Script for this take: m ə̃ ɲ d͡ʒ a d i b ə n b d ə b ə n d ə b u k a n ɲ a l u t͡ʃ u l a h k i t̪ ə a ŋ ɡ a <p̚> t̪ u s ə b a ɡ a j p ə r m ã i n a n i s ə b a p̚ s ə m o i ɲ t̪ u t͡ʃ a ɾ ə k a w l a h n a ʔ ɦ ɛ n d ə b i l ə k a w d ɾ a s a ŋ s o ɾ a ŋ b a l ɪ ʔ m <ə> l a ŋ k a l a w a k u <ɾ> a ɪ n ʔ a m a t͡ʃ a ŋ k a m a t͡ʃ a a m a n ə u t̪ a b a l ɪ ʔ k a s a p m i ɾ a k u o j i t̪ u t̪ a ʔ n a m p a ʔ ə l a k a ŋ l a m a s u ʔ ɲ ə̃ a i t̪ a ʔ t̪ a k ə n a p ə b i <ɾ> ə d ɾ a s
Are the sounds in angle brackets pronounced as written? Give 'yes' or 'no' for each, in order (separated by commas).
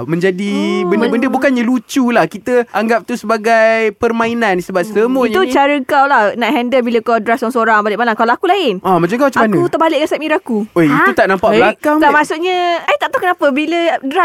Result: yes, no, no, no